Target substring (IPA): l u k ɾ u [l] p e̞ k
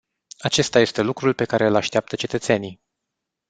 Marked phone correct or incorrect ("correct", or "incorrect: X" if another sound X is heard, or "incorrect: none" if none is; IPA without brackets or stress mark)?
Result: correct